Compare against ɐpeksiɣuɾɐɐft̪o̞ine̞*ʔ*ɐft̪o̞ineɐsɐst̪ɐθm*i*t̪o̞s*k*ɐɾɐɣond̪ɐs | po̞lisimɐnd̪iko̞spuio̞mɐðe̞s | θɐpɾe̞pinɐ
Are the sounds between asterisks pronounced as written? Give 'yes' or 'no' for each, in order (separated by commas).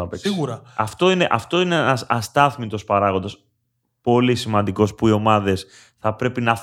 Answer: yes, yes, no